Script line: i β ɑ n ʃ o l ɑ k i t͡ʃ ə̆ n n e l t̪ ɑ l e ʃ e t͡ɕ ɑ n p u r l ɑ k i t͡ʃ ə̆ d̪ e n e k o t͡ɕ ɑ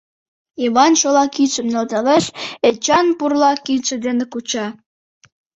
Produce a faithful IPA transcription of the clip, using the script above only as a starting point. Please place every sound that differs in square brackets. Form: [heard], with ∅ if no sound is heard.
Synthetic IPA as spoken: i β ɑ n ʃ o l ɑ k i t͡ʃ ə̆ [m] n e l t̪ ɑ l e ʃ e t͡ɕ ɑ n p u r l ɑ k i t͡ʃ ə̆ d̪ e n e k [u] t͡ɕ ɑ